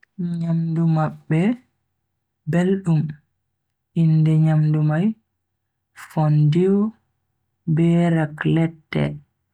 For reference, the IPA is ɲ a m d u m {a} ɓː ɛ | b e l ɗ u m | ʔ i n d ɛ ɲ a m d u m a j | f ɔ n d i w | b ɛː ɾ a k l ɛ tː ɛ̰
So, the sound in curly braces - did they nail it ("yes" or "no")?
yes